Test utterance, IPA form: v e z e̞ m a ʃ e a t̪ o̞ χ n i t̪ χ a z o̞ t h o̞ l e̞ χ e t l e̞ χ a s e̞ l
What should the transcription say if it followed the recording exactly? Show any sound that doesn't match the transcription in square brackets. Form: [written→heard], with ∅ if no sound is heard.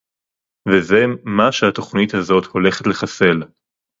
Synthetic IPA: v e z e̞ m a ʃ e a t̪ o̞ χ n i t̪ [χ→h] a z o̞ t h o̞ l e̞ χ e t l e̞ χ a s e̞ l